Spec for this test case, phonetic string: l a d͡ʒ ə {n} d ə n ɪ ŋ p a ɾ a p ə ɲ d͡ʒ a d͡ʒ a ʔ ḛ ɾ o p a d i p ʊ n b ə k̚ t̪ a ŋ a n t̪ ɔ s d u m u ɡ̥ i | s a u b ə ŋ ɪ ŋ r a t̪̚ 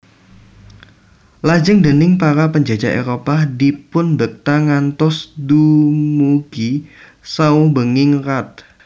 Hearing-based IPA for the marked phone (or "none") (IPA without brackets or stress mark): ŋ